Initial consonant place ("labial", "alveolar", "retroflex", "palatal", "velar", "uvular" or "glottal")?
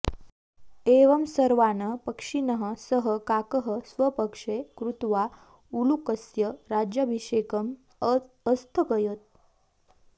labial